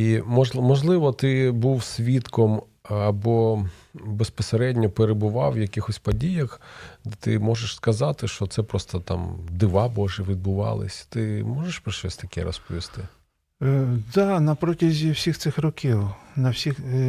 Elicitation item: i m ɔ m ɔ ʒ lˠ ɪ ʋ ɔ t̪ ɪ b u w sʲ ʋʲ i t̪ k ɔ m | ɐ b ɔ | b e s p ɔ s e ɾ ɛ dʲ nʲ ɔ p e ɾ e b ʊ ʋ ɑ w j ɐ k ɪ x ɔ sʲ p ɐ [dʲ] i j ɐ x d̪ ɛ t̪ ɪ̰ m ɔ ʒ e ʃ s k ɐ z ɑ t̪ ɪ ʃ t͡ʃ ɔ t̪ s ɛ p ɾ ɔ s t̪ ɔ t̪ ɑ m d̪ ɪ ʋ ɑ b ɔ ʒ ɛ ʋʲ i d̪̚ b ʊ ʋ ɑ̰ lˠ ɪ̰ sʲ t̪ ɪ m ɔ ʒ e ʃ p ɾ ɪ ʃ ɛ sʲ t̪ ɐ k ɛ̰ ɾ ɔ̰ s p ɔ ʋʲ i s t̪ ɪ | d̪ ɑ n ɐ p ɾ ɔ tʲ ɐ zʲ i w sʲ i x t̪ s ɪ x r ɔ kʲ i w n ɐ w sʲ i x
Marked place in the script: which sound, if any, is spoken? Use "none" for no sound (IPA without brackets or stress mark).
dʲ